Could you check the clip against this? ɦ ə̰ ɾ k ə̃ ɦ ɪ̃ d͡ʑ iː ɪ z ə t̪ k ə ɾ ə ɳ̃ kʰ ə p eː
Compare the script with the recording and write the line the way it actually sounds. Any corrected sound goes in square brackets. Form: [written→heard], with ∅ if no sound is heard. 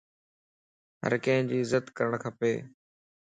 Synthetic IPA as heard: ɦ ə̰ ɾ k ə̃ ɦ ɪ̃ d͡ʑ iː ɪ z ə t̪ k ə ɾ ə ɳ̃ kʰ ə p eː